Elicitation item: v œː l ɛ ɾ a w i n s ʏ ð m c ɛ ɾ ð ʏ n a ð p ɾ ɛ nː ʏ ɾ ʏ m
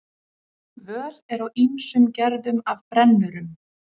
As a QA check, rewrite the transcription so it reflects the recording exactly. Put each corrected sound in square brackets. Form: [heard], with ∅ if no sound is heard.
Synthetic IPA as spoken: v œː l ɛ ɾ a w i n s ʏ [∅] m c ɛ ɾ ð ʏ [m] a [v] p ɾ ɛ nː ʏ ɾ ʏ m